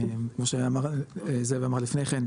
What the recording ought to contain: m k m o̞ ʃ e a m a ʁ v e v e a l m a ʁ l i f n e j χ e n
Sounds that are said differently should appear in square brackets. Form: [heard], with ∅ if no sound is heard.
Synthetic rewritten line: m k m o̞ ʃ e a m a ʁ [z] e v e a [∅] m a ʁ l i f n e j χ e n